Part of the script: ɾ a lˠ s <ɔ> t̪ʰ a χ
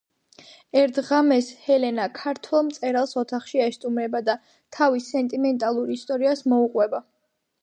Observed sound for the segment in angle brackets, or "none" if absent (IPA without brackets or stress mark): ɔ